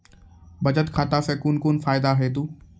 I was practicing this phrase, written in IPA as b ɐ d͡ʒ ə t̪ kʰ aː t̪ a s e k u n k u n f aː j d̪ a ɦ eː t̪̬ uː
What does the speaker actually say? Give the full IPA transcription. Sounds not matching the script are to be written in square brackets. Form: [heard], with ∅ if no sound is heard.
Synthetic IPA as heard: b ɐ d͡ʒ ə t̪ kʰ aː t̪ a s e k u n k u n f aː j d̪ a ɦ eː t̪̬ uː